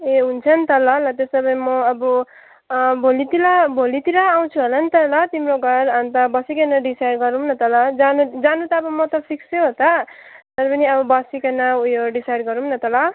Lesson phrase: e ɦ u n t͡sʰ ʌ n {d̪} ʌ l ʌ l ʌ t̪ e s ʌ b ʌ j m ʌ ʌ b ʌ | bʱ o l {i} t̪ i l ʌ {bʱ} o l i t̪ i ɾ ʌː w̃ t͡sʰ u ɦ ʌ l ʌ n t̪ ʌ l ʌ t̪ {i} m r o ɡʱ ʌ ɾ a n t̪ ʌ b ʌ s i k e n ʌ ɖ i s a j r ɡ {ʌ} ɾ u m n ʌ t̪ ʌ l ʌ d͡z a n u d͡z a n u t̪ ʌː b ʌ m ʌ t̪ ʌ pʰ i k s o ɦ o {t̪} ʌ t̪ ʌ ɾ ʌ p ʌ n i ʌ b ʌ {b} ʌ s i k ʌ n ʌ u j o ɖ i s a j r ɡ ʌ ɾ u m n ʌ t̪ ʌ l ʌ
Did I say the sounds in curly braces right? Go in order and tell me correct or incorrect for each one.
incorrect, correct, correct, correct, correct, correct, correct

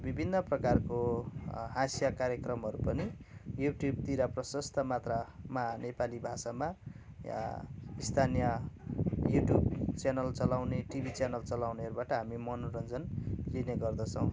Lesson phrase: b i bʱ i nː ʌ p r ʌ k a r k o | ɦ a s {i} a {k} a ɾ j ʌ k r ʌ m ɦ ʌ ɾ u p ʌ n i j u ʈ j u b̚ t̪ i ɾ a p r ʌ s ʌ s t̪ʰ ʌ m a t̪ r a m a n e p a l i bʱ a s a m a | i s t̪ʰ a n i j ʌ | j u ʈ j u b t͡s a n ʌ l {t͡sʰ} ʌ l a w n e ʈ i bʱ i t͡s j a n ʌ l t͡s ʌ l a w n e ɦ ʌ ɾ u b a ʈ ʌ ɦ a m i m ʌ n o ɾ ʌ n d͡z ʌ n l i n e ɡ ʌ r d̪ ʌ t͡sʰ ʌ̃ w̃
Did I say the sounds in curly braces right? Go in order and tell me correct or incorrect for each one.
incorrect, correct, incorrect

